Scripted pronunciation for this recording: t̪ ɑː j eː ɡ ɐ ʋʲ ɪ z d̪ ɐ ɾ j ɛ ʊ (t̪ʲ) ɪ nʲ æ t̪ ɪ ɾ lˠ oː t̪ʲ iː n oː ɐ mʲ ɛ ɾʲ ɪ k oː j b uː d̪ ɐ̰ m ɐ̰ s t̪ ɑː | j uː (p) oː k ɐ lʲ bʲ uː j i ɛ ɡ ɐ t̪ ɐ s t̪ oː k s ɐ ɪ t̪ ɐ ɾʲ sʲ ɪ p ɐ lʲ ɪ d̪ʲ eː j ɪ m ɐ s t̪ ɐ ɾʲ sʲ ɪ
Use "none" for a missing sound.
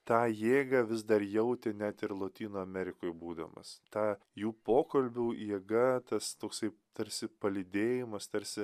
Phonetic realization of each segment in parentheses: t̪ʲ, p

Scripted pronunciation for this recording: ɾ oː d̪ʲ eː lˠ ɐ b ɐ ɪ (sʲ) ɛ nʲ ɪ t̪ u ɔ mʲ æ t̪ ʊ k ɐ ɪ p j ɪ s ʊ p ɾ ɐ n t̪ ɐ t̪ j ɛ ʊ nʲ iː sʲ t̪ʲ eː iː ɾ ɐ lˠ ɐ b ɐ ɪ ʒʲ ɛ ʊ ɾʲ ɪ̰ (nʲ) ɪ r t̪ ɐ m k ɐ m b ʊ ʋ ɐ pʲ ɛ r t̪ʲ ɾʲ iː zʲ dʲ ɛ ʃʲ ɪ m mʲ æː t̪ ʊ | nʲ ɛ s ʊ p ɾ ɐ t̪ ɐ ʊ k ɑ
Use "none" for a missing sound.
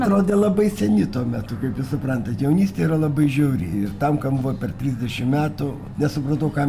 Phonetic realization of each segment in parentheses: sʲ, none

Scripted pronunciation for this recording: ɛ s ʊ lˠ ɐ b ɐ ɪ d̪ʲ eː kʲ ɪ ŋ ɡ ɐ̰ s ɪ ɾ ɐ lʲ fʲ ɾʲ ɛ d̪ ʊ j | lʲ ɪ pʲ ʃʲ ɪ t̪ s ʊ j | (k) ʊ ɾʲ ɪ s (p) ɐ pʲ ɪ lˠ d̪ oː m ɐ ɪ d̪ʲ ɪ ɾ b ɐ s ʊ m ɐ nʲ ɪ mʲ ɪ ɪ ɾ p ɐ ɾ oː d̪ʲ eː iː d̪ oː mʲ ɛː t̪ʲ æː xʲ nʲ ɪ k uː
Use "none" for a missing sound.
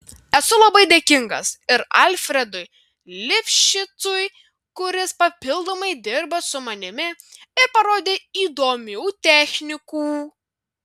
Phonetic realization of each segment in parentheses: k, p

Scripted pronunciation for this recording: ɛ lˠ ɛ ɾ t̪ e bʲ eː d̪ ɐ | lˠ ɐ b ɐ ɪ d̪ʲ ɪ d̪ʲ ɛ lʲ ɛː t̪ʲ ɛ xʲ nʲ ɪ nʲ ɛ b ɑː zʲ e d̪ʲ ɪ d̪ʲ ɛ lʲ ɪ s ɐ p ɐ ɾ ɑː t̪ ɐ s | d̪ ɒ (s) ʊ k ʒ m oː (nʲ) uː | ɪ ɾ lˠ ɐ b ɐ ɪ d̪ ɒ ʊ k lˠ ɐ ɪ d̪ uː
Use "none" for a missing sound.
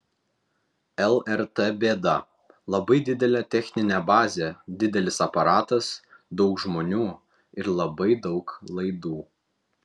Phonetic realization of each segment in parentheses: none, nʲ

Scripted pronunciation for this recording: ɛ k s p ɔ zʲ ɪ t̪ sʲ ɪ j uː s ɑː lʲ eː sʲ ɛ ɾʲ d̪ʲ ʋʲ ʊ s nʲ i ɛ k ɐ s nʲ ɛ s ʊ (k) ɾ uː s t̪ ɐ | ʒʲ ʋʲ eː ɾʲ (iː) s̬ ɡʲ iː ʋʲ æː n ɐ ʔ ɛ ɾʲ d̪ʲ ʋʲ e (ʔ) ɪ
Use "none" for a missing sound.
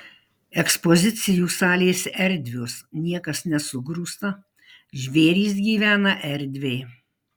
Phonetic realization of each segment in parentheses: ɡ, iː, none

